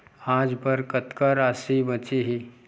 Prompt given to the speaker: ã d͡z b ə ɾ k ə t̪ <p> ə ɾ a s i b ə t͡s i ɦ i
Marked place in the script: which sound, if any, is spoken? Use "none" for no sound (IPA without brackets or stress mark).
k